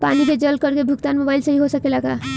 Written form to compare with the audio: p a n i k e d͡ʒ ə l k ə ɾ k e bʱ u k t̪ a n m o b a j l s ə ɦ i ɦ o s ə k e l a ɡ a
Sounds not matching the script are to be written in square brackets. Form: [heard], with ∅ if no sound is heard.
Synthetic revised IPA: p a n i k e d͡ʒ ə l k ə ɾ k e bʱ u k t̪ a n m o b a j l s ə ɦ i ɦ o s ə k e l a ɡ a